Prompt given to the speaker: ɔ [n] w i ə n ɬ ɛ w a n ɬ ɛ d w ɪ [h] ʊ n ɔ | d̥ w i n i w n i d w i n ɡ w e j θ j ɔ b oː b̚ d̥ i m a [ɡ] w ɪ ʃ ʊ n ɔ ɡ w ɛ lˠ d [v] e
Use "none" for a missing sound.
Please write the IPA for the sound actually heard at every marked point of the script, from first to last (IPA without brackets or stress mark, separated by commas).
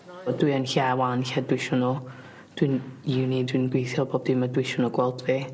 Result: d, ʃ, d, v